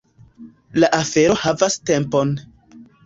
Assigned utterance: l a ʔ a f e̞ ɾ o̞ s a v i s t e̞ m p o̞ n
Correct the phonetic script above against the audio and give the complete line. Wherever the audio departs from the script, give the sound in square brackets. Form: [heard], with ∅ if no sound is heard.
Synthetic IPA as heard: l a ʔ a f e̞ ɾ o̞ [h] a v [a] s t e̞ m p o̞ n